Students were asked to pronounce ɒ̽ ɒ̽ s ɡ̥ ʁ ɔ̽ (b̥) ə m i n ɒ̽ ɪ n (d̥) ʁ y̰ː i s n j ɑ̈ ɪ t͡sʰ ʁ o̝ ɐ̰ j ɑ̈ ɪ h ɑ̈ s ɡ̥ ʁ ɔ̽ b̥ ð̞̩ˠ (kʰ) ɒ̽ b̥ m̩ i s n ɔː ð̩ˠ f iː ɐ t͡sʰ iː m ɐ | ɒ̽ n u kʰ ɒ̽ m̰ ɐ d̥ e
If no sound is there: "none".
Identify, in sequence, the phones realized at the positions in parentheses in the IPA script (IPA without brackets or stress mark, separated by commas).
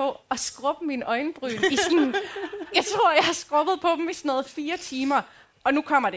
b̥, b̥, pʰ